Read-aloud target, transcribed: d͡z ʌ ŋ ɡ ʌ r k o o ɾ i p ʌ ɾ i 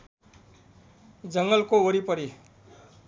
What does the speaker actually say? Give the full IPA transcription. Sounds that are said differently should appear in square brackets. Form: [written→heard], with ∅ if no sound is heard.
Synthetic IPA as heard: d͡z ʌ ŋ ɡ ʌ [r→l] k o o ɾ i p ʌ ɾ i